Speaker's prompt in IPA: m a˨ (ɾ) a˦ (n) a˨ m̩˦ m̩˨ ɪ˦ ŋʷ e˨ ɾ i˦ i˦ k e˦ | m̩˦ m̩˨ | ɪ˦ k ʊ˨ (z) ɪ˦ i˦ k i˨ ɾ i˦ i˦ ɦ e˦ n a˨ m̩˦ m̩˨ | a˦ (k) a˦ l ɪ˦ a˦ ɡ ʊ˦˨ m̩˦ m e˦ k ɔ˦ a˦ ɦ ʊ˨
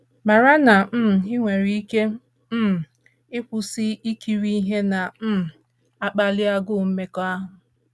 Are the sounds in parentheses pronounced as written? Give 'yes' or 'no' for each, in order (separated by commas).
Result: yes, yes, no, no